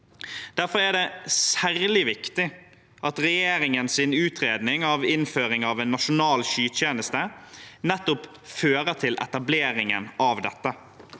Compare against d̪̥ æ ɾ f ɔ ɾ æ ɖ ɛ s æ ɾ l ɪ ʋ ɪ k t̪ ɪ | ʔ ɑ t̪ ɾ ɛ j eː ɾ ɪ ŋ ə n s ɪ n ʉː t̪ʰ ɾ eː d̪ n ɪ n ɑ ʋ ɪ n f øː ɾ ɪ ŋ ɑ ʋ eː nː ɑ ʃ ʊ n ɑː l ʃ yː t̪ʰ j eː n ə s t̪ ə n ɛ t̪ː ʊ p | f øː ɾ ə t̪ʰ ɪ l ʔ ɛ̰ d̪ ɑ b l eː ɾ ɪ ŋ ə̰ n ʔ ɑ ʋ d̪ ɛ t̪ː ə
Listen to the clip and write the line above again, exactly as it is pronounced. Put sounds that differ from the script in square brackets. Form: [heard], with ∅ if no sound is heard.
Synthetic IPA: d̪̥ æ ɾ f ɔ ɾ æ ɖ ɛ s æ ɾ l ɪ ʋ ɪ k t̪ ɪ | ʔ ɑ t̪ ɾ ɛ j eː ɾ ɪ ŋ ə n s ɪ n ʉː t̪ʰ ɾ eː d̪ n ɪ [ŋ] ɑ ʋ ɪ n f øː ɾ ɪ ŋ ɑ ʋ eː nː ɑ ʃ ʊ n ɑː l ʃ yː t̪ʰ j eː n ə s t̪ ə n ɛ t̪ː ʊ p | f øː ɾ ə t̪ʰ ɪ l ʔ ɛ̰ [t̪] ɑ b l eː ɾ ɪ ŋ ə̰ n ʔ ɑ ʋ d̪ ɛ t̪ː ə